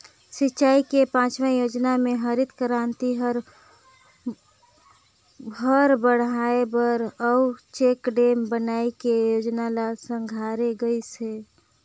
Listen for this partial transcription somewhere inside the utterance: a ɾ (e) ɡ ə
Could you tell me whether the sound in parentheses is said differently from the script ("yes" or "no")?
no